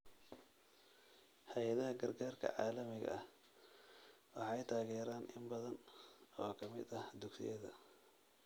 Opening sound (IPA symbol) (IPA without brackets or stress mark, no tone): h